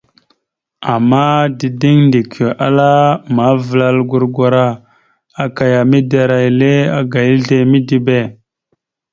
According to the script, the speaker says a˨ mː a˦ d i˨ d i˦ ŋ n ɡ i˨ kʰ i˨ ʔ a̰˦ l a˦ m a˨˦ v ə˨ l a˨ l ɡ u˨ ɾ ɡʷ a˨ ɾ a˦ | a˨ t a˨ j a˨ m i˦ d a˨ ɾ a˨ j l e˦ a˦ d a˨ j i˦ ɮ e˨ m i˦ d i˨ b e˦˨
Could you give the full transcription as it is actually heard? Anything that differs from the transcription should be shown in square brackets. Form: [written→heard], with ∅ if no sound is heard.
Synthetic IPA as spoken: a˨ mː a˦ d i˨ d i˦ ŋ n [ɡ→d] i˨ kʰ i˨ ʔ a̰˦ l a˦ m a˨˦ v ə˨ l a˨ l ɡ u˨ ɾ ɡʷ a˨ ɾ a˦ | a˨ [t→k] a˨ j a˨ m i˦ d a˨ ɾ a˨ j l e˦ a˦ [d→ɡ] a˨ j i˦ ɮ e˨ m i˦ d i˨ b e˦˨